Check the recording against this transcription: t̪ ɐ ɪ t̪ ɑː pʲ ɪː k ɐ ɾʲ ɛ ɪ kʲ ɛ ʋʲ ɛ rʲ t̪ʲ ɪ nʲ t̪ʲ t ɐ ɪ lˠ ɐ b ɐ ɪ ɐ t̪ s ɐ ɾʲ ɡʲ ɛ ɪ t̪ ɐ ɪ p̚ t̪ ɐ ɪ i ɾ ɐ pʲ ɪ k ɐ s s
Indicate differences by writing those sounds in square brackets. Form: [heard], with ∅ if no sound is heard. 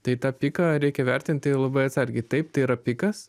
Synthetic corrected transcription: t̪ ɐ ɪ t̪ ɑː pʲ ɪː k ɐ ɾʲ ɛ ɪ kʲ ɛ ʋʲ ɛ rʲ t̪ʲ ɪ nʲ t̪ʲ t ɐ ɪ lˠ ɐ b ɐ ɪ ɐ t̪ s ɐ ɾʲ ɡʲ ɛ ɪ t̪ ɐ ɪ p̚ t̪ ɐ ɪ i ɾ ɐ pʲ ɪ k ɐ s s